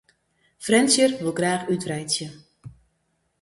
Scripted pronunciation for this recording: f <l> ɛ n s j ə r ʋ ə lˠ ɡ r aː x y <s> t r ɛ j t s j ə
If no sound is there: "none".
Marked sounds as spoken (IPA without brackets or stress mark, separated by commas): r, none